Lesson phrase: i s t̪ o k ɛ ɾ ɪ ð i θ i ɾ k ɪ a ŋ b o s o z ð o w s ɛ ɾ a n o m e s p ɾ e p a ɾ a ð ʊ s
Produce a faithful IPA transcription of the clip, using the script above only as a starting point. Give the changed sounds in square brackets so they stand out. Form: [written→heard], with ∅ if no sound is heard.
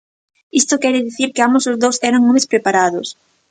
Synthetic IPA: i s t̪ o k ɛ ɾ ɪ ð i θ i ɾ k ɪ a [ŋ→m] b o s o z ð o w s ɛ ɾ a [n→ŋ] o m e s p ɾ e p a ɾ a ð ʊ s